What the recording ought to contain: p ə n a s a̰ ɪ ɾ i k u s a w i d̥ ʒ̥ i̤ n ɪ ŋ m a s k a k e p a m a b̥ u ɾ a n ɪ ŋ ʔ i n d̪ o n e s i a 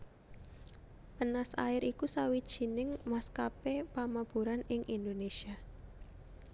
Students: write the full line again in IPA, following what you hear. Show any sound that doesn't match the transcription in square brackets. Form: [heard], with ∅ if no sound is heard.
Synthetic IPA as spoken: p ə n a s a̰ ɪ ɾ i k u s a w i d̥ ʒ̥ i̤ n ɪ ŋ m a s k a [p] e p a m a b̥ u ɾ a n ɪ ŋ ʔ i n d̪ o n e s i a